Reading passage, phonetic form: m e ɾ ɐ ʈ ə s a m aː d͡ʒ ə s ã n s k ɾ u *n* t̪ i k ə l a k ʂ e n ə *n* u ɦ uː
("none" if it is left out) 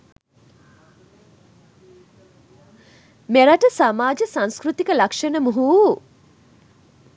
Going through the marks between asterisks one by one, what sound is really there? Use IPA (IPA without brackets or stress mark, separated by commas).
none, m